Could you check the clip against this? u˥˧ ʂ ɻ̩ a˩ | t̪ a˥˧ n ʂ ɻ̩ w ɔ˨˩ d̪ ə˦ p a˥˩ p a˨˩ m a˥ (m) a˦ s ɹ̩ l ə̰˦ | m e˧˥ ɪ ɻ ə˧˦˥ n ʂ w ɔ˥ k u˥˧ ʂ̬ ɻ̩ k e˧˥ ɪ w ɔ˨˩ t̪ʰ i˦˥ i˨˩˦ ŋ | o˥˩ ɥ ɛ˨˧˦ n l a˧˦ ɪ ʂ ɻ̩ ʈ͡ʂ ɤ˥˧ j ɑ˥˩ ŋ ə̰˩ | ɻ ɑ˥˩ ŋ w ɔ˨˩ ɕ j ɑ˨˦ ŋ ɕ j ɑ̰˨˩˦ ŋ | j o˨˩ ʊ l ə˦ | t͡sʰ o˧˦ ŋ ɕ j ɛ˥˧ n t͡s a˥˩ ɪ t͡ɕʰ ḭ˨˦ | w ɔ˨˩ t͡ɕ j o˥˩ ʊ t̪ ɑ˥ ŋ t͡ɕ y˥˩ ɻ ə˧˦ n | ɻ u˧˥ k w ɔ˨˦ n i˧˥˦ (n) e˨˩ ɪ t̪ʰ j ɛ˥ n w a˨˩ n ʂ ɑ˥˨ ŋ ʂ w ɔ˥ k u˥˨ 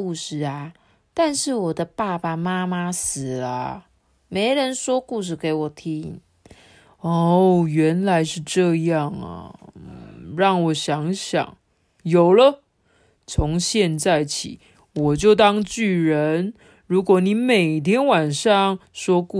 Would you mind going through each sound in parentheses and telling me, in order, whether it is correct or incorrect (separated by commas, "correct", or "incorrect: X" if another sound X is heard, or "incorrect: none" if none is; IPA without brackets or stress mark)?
correct, incorrect: m